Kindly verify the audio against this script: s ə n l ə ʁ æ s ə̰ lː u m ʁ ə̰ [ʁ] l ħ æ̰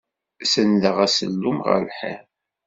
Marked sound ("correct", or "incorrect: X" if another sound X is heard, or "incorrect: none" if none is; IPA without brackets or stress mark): incorrect: none